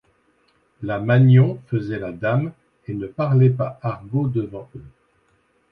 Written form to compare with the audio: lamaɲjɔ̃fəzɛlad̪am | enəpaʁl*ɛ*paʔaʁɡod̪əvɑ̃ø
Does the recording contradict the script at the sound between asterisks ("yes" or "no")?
no